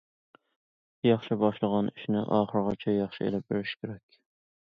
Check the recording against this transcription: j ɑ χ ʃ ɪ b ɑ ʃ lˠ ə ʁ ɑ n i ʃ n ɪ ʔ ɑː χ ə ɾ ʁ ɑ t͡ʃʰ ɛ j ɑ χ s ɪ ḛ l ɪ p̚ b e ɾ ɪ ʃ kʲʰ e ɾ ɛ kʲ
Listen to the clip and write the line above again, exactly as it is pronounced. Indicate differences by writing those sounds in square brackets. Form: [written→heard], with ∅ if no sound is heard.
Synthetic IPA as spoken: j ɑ χ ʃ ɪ b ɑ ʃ lˠ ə ʁ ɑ n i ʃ n ɪ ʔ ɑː χ ə ɾ ʁ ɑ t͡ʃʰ ɛ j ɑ χ [s→ʃ] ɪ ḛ l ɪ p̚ b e ɾ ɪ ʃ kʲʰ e ɾ ɛ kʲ